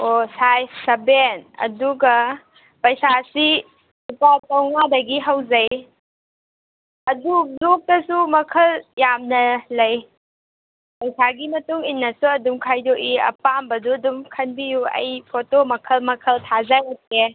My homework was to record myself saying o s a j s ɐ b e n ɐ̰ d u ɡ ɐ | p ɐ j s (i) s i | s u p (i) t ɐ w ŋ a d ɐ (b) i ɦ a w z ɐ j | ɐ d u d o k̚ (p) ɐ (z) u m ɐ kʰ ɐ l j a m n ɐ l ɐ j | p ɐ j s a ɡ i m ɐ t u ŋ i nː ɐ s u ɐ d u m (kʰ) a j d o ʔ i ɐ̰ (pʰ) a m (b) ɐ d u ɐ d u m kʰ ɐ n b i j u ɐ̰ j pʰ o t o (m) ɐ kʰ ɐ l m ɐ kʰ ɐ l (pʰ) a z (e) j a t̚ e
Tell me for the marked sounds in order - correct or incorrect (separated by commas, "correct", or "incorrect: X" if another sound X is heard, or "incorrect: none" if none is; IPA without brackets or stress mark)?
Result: incorrect: a, incorrect: a, incorrect: ɡ, incorrect: t, incorrect: s, correct, incorrect: p, correct, correct, incorrect: tʰ, incorrect: a